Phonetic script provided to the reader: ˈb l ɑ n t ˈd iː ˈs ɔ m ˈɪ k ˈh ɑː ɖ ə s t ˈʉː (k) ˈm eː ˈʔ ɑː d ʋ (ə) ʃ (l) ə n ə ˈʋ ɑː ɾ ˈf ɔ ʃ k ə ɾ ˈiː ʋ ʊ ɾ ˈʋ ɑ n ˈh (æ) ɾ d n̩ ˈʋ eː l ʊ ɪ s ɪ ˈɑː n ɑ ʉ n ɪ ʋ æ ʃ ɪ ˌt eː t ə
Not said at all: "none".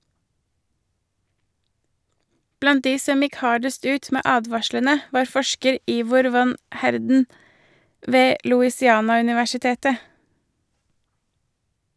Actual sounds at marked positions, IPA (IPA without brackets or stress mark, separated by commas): t, ɑ, l, æ